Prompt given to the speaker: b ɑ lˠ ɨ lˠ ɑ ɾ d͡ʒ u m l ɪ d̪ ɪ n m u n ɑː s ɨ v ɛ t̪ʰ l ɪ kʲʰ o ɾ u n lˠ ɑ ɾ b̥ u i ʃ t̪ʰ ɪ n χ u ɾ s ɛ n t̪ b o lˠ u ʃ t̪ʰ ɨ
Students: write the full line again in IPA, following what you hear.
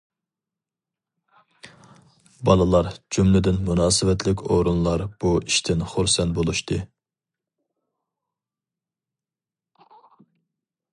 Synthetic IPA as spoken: b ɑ lˠ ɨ lˠ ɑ ɾ d͡ʒ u m l ɪ d̪ ɪ n m u n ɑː s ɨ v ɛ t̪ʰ l ɪ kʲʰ o ɾ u n lˠ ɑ ɾ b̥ u i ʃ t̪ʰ ɪ n χ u ɾ s ɛ n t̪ b o lˠ u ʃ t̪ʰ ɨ